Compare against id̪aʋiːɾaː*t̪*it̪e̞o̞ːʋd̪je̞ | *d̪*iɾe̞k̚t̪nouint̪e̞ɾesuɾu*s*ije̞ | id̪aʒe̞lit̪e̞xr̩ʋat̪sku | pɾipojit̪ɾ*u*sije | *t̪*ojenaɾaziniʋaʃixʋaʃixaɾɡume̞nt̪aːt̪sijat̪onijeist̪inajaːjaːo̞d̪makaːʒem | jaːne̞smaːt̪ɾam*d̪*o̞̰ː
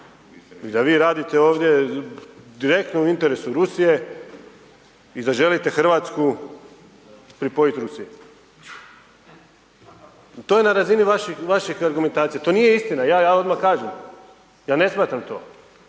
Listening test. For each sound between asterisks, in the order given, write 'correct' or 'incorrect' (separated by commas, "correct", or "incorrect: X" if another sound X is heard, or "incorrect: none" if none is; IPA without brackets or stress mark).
incorrect: d̪, correct, correct, correct, correct, incorrect: t̪